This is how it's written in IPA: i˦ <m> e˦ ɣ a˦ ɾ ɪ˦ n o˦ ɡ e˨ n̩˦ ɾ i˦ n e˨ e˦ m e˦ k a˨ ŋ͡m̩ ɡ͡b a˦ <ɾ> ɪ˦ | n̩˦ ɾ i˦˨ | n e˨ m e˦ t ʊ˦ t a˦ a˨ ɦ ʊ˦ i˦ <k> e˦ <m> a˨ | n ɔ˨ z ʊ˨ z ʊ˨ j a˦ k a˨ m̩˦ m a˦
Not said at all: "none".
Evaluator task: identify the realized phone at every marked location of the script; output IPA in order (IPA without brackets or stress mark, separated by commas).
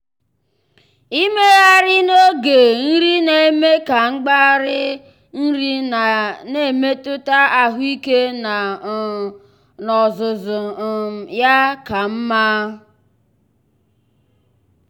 m, ɾ, k, n